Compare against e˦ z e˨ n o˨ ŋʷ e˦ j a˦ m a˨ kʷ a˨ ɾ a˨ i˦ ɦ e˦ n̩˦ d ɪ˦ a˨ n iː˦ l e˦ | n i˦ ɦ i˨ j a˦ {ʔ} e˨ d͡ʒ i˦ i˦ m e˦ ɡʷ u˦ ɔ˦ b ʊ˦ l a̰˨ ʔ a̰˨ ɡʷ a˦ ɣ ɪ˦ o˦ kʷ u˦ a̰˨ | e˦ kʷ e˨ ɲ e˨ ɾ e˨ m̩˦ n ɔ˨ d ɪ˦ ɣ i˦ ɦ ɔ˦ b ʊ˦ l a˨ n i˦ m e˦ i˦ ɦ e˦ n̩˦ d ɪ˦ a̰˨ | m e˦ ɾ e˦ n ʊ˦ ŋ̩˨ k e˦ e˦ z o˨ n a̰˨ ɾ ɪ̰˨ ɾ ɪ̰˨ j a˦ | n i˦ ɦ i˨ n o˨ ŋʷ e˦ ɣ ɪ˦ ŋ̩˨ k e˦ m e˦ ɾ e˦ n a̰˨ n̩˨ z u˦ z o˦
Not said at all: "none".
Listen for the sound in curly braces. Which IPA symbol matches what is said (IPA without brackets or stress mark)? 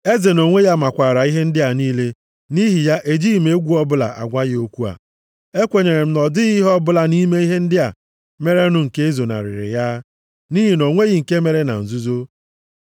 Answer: ʔ